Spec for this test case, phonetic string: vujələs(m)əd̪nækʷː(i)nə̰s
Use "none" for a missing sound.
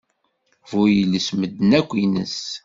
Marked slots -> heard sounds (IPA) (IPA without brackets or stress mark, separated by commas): m, i